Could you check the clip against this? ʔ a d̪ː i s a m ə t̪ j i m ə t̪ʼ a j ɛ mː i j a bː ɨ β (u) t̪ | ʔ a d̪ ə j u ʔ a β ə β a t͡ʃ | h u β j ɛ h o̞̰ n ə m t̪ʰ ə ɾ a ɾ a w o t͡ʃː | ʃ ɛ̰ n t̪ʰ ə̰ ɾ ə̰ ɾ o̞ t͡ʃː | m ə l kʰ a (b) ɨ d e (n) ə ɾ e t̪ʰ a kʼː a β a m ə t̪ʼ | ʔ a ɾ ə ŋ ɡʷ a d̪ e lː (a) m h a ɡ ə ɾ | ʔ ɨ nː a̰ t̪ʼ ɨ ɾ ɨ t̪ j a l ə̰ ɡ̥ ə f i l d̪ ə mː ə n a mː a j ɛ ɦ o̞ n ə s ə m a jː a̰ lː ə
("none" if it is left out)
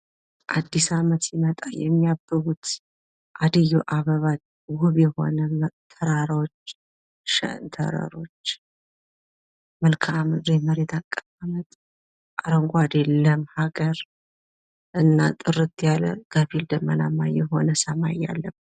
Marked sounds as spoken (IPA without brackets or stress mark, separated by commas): u, m, m, ə